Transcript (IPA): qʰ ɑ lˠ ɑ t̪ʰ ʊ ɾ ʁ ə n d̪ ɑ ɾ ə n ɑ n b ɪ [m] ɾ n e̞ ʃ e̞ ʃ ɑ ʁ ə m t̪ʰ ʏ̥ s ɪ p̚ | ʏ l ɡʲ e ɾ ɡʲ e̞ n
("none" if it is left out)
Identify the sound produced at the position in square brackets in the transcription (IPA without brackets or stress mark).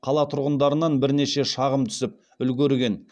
none